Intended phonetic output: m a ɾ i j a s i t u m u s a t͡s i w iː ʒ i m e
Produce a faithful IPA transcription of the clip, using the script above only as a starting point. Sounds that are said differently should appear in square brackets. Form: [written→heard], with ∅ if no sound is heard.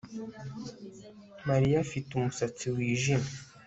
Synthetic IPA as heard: m a ɾ i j a [s→f] i t u m u s a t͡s i w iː ʒ i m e